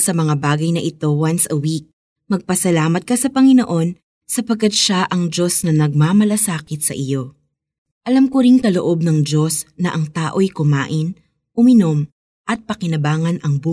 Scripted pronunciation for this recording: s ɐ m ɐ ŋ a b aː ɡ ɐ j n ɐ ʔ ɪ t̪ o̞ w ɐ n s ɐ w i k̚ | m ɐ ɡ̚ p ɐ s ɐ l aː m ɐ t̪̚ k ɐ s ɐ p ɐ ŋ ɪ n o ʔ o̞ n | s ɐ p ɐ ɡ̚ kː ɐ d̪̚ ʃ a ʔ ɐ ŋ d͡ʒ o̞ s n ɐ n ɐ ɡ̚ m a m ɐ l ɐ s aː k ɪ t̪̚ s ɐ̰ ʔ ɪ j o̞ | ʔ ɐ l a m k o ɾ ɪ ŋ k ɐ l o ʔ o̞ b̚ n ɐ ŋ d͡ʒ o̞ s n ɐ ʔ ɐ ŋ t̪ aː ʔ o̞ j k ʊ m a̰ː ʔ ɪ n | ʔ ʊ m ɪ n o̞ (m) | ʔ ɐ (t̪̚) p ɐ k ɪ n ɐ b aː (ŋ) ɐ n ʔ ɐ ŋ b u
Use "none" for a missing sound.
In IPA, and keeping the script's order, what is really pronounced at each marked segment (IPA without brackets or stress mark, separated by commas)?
m, t̪̚, ŋ